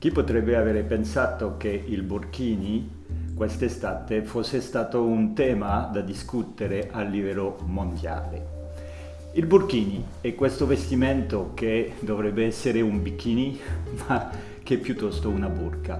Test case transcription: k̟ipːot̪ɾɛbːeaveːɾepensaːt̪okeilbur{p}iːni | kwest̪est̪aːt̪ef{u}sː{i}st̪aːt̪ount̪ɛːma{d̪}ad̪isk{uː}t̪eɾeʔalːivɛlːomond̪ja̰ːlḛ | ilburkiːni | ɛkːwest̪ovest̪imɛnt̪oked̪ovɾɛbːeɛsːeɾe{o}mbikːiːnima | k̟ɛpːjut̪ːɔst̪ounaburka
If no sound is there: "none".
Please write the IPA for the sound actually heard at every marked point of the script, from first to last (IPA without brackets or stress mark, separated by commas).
k, o, e, d̪, u, u